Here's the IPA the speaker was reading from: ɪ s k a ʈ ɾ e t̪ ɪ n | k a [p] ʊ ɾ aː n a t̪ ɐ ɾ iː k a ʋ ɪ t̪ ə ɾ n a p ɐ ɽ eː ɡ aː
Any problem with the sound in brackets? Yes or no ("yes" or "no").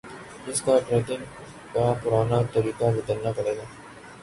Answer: no